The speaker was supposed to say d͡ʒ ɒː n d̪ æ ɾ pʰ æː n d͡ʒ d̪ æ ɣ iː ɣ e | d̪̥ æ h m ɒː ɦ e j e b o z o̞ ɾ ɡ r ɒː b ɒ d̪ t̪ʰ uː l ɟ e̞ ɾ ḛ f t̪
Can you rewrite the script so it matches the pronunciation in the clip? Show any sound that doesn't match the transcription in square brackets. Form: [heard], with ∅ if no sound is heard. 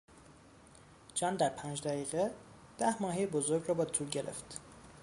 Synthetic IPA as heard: d͡ʒ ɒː n d̪ æ ɾ pʰ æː n d͡ʒ d̪ æ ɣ iː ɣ e | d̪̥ æ h m ɒː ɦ e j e b o z o̞ ɾ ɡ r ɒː b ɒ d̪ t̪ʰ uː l ɟ e̞ ɾ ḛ f t̪